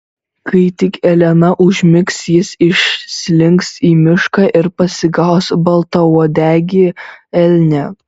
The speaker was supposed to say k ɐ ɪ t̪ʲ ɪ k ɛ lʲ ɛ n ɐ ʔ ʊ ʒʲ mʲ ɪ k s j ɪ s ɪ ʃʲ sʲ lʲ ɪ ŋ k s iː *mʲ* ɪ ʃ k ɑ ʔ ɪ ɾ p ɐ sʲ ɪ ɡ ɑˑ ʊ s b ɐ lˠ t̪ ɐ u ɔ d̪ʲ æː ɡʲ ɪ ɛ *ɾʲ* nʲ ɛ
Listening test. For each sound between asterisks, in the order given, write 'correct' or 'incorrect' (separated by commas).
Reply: correct, incorrect